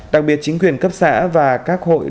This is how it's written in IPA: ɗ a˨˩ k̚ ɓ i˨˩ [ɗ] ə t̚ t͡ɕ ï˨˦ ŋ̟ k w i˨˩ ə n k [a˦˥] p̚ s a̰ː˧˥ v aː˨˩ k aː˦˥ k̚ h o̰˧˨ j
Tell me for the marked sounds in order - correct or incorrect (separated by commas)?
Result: incorrect, incorrect